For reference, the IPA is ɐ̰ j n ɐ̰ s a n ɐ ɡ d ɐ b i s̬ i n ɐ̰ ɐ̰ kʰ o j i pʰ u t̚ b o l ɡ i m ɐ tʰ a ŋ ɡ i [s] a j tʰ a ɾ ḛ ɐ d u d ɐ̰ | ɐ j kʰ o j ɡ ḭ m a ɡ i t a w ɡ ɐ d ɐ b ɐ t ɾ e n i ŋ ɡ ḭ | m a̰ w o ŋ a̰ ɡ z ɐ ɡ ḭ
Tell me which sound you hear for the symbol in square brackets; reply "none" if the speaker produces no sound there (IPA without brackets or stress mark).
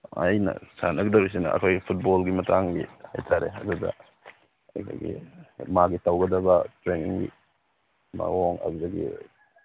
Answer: h